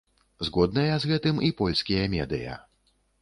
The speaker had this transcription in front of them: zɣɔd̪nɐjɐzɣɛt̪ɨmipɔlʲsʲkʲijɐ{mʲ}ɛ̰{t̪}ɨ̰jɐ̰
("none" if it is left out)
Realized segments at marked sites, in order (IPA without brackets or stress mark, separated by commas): mʲ, d̪